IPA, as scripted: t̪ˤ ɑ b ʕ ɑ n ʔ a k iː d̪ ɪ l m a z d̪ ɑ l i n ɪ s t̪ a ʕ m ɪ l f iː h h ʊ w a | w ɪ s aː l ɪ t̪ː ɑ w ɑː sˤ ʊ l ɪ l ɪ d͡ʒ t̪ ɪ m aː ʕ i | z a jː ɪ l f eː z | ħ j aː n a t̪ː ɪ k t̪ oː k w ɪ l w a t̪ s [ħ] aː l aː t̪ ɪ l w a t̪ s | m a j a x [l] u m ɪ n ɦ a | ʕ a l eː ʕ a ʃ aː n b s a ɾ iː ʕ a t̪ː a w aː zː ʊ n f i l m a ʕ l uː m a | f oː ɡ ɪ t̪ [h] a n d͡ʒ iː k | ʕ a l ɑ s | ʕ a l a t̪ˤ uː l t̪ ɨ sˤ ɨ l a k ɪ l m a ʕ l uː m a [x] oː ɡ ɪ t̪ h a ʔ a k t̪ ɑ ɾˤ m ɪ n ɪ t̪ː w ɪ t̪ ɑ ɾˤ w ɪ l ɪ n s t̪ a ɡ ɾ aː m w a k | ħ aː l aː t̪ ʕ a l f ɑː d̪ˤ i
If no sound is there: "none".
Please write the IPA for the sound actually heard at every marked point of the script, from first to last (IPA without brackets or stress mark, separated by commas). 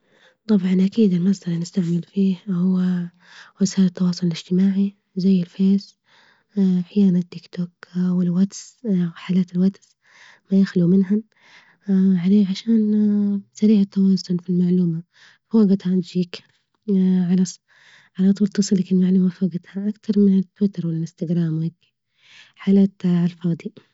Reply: ħ, l, h, f